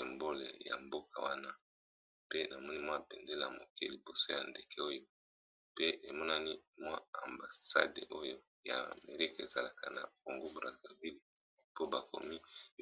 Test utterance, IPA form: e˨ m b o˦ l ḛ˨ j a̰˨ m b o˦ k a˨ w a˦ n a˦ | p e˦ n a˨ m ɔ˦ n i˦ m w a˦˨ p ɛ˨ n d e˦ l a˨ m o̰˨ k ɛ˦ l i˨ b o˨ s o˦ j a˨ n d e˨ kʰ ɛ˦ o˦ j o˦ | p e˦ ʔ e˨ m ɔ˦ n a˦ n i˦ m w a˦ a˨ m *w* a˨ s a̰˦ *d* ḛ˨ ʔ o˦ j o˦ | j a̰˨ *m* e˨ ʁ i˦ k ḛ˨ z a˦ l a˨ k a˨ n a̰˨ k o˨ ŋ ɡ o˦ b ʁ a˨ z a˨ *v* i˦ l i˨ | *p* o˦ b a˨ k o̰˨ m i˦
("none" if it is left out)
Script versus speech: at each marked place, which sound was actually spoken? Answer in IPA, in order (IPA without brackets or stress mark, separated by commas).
b, d, m, v, p